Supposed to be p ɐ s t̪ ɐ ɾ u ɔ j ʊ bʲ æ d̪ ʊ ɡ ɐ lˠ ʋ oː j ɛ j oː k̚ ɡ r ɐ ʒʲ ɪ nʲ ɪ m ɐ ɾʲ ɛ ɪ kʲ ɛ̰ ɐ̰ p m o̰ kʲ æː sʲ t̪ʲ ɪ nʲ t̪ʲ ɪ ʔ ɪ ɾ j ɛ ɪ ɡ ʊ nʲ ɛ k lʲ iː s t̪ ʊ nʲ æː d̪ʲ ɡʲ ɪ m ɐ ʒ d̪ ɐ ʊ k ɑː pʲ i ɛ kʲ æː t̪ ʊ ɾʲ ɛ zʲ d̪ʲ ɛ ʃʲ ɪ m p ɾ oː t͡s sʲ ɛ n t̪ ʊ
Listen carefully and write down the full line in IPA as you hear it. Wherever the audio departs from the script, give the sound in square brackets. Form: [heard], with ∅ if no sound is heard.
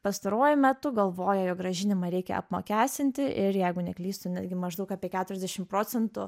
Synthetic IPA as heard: p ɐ s t̪ ɐ ɾ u ɔ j ʊ [mʲ] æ [t̪] ʊ ɡ ɐ lˠ ʋ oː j ɛ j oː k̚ ɡ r ɐ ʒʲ ɪ nʲ ɪ m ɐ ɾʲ ɛ ɪ kʲ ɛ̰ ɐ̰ p m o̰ kʲ æː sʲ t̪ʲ ɪ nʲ t̪ʲ ɪ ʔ ɪ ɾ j ɛ ɪ ɡ ʊ nʲ ɛ k lʲ iː s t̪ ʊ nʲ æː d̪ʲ ɡʲ ɪ m ɐ ʒ d̪ ɐ ʊ k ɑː pʲ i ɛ kʲ æː t̪ ʊ ɾʲ ɛ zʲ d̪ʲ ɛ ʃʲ ɪ m p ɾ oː t͡s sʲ ɛ n t̪ ʊ